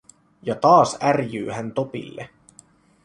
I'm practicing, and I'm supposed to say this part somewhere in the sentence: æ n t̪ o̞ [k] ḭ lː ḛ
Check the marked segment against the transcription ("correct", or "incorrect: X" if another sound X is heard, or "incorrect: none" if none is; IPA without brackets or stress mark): incorrect: p